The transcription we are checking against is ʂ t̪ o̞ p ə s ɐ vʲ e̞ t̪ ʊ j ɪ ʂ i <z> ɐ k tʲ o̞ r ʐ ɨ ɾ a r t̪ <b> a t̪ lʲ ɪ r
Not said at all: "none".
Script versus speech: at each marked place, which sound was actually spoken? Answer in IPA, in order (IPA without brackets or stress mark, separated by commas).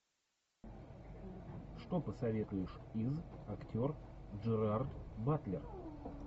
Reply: z, b